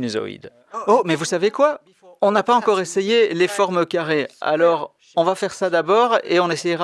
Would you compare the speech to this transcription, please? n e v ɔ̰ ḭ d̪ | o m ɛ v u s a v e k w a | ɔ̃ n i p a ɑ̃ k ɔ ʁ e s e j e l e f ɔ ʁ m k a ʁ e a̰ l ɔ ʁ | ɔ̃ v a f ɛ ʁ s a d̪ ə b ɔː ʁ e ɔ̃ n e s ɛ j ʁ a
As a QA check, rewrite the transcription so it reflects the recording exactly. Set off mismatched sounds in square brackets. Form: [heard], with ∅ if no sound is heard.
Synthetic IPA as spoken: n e [z] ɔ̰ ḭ d̪ | o m ɛ v u s a v e k w a | ɔ̃ n [a] p a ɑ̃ k ɔ ʁ e s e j e l e f ɔ ʁ m k a ʁ e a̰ l ɔ ʁ | ɔ̃ v a f ɛ ʁ s a d̪ [a] b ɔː ʁ e ɔ̃ n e s ɛ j ʁ a